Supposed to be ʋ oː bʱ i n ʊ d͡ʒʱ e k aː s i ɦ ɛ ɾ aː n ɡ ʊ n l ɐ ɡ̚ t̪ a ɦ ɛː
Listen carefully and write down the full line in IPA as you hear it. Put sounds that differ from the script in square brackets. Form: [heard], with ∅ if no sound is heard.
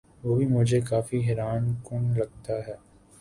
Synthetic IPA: ʋ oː bʱ i [m] ʊ d͡ʒʱ e k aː [f] i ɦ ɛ ɾ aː n [k] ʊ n l ɐ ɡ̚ t̪ a ɦ ɛː

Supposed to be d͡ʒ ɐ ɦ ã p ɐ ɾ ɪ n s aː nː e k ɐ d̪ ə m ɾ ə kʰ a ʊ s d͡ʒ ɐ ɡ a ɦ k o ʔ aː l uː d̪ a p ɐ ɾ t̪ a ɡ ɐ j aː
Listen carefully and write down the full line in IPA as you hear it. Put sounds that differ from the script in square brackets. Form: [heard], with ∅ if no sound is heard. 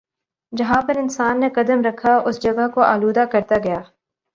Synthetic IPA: d͡ʒ ɐ ɦ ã p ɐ ɾ ɪ n s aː nː e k ɐ d̪ ə m ɾ [ɐ] kʰ a ʊ s d͡ʒ ɐ ɡ a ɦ k o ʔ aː l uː d̪ a [k] ɐ ɾ t̪ a ɡ ɐ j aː

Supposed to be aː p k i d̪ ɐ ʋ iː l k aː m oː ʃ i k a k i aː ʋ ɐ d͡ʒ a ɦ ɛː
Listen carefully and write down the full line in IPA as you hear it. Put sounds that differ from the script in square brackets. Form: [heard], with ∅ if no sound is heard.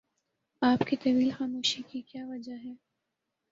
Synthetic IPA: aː p k i [t̪] ɐ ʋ iː l [x] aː m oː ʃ i k [i] k [j] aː ʋ ɐ d͡ʒ a ɦ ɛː

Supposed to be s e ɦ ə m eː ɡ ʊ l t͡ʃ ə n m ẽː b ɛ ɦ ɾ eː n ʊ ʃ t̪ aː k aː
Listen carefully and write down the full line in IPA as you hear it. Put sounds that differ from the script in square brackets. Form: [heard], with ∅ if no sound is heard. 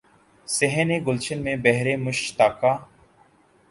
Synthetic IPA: s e ɦ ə [n] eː ɡ ʊ l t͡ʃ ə n m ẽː b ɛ ɦ ɾ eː [m] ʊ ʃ t̪ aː k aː

